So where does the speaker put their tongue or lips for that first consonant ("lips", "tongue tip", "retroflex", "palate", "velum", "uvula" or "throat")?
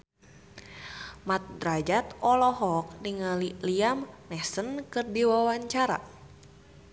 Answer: lips